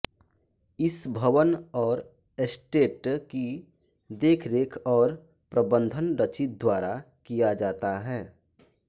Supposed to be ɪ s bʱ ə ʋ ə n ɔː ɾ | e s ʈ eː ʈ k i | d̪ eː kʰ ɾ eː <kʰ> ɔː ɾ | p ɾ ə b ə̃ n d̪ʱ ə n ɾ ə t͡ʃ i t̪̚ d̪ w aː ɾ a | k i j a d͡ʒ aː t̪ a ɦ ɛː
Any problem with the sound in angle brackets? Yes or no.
no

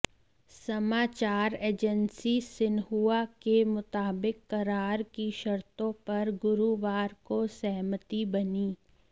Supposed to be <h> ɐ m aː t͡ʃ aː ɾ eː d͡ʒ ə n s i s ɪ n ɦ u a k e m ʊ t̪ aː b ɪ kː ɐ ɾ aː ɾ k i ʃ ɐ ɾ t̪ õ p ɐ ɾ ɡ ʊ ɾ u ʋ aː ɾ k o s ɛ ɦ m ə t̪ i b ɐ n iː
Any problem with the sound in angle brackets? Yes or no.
yes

